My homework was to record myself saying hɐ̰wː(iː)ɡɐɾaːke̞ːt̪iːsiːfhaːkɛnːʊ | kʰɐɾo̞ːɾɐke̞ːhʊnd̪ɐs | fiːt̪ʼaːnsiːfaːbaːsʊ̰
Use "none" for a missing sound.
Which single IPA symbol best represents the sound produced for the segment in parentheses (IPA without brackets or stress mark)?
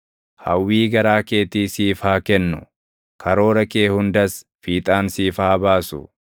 iː